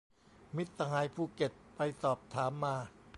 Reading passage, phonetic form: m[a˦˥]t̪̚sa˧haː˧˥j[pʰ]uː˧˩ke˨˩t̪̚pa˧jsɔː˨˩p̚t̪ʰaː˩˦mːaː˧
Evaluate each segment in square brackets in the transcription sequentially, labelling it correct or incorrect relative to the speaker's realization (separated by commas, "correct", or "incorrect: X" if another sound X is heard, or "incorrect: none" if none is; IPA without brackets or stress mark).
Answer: incorrect: i˦˥, correct